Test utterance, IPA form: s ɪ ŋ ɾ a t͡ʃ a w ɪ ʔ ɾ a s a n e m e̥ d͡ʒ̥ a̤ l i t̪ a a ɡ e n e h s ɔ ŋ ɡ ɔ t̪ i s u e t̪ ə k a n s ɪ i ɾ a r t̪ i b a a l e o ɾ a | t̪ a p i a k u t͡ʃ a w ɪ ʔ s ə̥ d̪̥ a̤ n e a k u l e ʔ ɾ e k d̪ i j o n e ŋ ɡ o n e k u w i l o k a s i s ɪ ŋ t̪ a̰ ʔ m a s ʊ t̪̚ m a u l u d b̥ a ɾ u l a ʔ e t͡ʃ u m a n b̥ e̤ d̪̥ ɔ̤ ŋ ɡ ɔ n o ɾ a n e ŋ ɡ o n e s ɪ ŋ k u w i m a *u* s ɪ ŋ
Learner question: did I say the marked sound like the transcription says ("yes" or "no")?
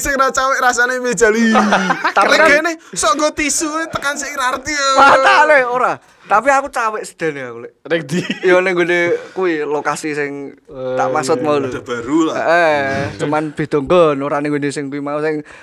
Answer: yes